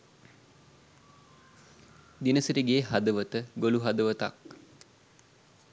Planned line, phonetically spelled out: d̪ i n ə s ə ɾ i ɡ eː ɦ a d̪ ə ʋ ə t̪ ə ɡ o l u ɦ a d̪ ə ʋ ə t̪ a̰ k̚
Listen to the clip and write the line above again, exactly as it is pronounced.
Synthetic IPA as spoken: d̪ i n ə s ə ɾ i ɡ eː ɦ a d̪ ə ʋ ə t̪ ə ɡ o l u ɦ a d̪ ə ʋ ə t̪ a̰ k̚